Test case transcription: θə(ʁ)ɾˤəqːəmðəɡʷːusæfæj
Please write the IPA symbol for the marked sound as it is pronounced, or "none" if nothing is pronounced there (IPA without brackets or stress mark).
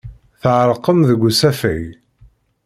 ʕ